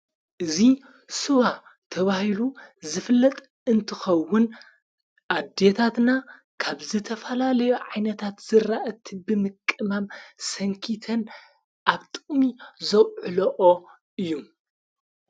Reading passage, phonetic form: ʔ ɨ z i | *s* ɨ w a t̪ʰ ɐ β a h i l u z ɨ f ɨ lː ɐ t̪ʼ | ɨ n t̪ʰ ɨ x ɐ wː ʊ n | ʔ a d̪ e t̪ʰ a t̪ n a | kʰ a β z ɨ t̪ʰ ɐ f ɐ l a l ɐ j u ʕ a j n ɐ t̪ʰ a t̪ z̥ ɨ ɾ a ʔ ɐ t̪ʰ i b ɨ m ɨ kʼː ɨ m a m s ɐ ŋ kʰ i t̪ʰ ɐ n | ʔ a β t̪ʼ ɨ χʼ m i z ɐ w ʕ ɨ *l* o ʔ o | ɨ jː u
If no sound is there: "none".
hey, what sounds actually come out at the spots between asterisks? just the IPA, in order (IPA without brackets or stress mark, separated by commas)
s, l